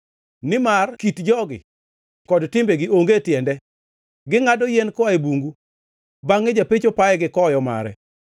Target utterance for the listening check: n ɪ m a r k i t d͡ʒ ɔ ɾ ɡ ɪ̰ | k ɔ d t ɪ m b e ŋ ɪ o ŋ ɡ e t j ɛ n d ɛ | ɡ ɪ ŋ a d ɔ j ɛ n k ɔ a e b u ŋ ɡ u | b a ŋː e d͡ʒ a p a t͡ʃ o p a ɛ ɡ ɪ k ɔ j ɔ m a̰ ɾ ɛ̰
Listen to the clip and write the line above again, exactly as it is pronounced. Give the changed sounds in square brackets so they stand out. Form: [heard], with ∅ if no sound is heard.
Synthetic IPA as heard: n ɪ m a r k i t d͡ʒ ɔ [∅] ɡ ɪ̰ | k ɔ d t ɪ m b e [ɡ] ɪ o ŋ ɡ e t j ɛ n d ɛ | ɡ ɪ ŋ a d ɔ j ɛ n k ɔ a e b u ŋ ɡ u | b a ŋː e d͡ʒ a p [e] t͡ʃ o p a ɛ ɡ ɪ k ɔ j ɔ m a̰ ɾ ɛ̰